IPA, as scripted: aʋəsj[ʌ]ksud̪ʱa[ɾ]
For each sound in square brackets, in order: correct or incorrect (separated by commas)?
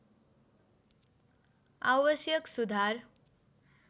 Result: incorrect, correct